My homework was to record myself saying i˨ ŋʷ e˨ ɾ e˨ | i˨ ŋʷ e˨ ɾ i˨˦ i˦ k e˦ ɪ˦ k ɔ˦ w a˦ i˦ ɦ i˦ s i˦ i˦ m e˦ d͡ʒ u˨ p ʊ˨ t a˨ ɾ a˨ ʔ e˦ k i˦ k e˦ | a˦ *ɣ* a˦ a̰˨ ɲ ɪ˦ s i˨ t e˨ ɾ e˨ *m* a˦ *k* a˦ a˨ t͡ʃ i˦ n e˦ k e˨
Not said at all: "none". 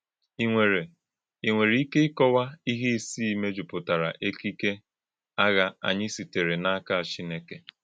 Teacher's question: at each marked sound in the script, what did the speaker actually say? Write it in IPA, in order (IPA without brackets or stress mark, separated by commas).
ɣ, n, k